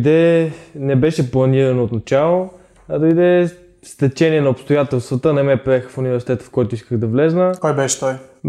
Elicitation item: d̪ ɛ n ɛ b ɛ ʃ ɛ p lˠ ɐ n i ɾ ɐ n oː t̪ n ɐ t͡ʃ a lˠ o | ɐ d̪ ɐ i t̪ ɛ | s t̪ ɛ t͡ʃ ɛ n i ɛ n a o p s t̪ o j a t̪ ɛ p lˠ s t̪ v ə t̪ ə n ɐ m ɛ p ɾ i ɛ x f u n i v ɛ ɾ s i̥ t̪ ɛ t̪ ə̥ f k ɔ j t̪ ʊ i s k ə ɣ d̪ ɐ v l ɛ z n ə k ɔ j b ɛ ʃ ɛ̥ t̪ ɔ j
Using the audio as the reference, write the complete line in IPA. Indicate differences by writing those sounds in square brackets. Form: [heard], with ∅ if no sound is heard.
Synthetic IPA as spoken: d̪ ɛ n ɛ b ɛ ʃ ɛ p lˠ ɐ n i ɾ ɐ n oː t̪ n ɐ t͡ʃ a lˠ o | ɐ d̪ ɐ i [d̪] ɛ | s t̪ ɛ t͡ʃ ɛ n i ɛ n [ɐ] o p s t̪ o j a t̪ ɛ [∅] lˠ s t̪ v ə t̪ ə n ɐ m ɛ p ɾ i ɛ x f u n i v ɛ ɾ s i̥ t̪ ɛ t̪ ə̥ f k ɔ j t̪ ʊ i s k ə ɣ d̪ ɐ v l ɛ z n ə k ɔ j b ɛ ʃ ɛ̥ t̪ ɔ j